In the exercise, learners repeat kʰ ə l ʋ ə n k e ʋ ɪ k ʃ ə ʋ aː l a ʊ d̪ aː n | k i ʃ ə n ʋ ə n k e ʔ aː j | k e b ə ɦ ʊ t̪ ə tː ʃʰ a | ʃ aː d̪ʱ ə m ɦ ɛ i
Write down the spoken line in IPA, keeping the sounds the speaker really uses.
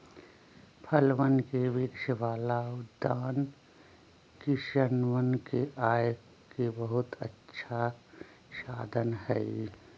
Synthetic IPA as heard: pʰ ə l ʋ ə n k e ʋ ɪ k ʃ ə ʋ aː l a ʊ d̪ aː n | k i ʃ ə n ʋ ə n k e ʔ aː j | k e b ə ɦ ʊ t̪ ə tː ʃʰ a | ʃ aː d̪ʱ ə n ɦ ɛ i